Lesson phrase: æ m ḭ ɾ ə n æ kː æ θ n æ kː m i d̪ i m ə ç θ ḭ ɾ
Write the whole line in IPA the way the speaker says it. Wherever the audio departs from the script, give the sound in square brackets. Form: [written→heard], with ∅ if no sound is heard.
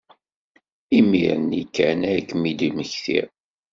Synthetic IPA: [æ→i] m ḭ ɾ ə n [æ→i] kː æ [θ→∅] n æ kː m i d̪ i m ə ç θ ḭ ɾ